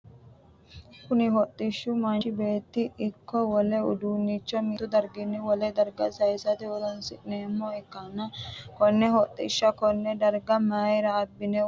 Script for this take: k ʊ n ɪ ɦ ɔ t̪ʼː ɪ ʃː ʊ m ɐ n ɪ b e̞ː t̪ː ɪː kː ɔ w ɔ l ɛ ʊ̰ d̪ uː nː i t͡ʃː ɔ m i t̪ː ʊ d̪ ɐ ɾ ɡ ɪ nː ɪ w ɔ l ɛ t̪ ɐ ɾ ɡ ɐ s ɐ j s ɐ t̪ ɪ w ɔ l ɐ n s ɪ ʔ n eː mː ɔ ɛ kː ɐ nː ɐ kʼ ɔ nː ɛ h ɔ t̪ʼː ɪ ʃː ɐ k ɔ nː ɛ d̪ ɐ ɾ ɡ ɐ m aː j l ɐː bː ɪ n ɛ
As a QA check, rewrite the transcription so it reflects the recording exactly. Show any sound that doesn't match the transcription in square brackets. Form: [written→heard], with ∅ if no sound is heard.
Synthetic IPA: k ʊ n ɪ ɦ ɔ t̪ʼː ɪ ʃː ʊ m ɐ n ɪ b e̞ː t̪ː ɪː kː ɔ w ɔ l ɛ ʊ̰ d̪ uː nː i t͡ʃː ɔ m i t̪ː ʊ d̪ ɐ ɾ ɡ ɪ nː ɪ w ɔ l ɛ [t̪→d̪] ɐ ɾ ɡ ɐ s ɐ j s ɐ t̪ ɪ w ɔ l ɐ n s ɪ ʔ n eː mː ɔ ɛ kː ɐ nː ɐ [kʼ→k] ɔ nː ɛ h ɔ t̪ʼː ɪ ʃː ɐ k ɔ nː ɛ d̪ ɐ ɾ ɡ ɐ m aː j [l→ɾ] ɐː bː ɪ n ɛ